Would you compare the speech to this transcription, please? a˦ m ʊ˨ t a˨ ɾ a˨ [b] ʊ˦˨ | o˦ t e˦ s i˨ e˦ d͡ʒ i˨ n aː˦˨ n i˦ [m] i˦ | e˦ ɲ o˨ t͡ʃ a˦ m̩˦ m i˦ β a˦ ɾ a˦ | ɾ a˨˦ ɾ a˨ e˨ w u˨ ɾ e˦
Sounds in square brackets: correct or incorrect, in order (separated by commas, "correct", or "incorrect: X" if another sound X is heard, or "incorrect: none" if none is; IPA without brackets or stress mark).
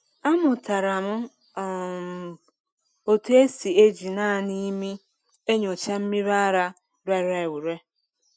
incorrect: m, correct